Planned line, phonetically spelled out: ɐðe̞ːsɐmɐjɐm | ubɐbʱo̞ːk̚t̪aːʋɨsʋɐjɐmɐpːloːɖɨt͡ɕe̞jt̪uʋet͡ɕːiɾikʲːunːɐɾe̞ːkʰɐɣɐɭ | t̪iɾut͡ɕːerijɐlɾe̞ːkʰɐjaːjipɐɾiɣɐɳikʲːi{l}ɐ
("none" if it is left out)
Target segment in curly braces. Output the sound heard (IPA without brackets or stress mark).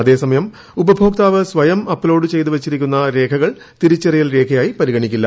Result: lː